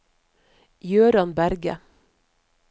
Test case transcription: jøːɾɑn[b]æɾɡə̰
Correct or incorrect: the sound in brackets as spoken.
correct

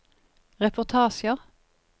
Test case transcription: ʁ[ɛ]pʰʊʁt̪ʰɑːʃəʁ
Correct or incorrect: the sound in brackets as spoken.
correct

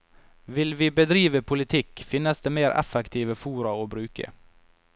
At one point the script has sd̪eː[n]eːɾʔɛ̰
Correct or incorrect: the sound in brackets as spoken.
incorrect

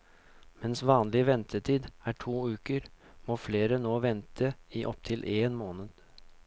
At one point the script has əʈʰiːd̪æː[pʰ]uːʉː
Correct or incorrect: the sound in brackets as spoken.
incorrect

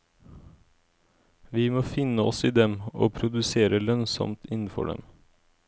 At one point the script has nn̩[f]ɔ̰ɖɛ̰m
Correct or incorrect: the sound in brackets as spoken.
correct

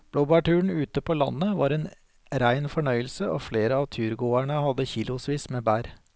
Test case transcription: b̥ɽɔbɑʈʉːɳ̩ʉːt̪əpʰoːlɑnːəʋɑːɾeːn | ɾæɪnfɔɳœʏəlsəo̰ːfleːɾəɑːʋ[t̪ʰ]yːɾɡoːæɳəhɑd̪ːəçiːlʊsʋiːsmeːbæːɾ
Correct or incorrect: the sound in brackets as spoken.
correct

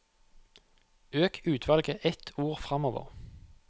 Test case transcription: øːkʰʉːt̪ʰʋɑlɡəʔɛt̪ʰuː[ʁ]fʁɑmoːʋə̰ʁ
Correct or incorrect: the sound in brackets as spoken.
correct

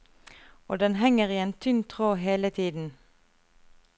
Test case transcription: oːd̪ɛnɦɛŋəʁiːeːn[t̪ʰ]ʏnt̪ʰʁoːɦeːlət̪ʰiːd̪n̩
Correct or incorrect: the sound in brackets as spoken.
correct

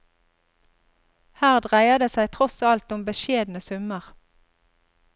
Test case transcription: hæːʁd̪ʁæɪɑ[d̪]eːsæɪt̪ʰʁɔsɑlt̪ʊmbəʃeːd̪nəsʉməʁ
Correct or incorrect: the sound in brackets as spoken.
correct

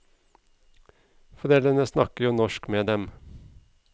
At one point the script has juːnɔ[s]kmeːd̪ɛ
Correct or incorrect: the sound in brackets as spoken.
incorrect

